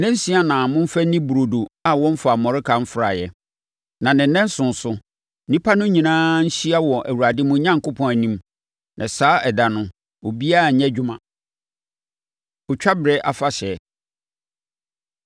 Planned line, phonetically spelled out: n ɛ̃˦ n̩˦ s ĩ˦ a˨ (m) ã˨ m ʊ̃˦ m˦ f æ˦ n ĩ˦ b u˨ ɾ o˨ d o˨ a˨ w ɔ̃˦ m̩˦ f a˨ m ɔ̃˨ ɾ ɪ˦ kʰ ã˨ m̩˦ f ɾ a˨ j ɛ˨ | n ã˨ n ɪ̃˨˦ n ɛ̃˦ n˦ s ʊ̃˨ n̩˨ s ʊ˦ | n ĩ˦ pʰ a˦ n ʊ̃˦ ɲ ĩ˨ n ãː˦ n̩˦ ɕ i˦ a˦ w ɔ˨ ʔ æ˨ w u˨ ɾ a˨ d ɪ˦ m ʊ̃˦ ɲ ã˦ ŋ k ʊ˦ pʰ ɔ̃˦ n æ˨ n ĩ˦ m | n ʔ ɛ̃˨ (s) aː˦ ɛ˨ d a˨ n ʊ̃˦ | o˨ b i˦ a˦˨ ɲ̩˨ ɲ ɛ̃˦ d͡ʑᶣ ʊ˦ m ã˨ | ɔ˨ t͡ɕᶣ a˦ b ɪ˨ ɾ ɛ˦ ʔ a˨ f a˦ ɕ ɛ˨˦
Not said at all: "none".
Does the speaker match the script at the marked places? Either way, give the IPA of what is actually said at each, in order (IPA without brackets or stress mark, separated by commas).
n, s